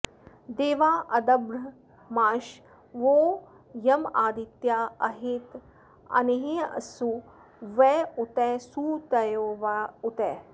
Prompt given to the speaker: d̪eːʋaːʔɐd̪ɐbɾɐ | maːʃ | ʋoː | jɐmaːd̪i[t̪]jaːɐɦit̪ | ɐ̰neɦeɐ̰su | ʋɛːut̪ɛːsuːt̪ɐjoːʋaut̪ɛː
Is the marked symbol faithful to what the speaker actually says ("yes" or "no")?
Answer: yes